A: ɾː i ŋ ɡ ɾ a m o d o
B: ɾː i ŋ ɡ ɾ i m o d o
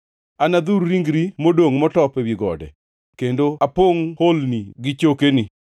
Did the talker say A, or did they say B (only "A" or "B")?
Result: B